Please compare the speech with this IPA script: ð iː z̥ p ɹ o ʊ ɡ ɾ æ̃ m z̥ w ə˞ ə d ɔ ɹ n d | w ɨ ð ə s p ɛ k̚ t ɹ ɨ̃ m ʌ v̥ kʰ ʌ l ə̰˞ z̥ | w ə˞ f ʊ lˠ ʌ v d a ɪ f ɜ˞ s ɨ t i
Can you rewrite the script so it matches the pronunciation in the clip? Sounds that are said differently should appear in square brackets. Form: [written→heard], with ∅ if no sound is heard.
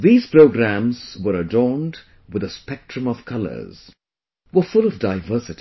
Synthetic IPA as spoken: ð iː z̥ p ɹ o ʊ ɡ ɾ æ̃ m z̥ w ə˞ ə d ɔ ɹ n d | w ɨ ð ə s p ɛ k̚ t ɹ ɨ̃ m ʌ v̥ kʰ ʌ l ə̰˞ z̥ | w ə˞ f ʊ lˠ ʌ v d a ɪ [f→v] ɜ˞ s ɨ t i